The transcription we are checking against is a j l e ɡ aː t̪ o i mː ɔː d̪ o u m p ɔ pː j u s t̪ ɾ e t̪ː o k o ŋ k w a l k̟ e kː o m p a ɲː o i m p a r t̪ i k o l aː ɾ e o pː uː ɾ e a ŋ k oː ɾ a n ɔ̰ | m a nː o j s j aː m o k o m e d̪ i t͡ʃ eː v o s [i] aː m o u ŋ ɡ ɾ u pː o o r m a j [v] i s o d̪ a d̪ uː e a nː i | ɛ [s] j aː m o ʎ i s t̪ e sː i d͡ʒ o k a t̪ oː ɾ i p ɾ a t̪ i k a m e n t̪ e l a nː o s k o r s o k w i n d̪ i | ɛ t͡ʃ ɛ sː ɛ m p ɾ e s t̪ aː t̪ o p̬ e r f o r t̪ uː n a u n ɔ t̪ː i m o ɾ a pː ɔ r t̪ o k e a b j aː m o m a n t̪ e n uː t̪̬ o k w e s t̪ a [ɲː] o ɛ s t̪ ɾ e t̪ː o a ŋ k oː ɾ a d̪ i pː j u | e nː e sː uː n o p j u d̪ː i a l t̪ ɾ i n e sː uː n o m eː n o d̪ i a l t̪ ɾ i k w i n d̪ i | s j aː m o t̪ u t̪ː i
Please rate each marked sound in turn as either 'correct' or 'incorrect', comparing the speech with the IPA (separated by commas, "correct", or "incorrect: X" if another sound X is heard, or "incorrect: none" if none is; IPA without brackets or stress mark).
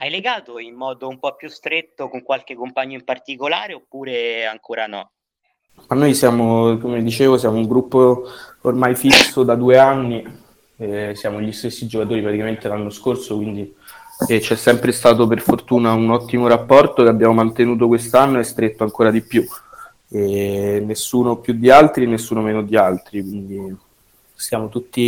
incorrect: j, incorrect: f, correct, incorrect: nː